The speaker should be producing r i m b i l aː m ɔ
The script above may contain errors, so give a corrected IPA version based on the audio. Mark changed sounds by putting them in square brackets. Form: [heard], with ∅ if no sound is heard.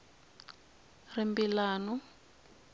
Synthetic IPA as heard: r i m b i l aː [n] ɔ